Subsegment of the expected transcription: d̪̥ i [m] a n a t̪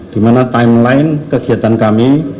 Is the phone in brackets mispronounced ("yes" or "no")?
no